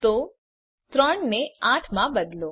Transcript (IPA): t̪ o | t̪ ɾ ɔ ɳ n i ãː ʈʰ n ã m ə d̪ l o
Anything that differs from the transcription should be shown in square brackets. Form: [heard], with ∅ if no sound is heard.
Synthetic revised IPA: t̪ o | t̪ ɾ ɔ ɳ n [e] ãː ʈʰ [m] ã [b] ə d̪ l o